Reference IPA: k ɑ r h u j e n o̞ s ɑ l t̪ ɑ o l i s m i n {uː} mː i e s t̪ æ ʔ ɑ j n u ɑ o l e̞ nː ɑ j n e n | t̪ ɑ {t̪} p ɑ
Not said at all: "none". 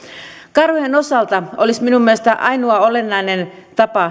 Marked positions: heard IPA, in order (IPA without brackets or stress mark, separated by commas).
u, none